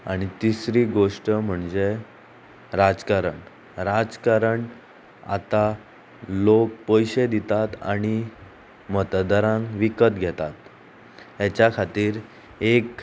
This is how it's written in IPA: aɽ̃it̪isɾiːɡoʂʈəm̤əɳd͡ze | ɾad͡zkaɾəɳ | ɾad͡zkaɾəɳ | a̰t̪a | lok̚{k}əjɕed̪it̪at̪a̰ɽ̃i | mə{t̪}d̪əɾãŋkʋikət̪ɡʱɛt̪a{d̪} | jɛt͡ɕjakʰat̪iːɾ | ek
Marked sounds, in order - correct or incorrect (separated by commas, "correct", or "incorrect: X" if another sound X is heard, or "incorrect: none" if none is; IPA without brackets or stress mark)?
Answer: incorrect: p, correct, incorrect: t̪